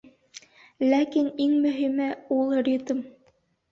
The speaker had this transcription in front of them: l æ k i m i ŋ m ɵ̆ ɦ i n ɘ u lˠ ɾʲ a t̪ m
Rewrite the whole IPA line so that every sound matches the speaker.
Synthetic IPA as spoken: l æ k i n i ŋ m ɵ̆ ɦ i m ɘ u lˠ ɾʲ i t̪ m